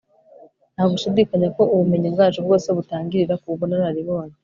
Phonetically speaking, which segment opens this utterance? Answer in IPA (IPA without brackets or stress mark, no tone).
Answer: n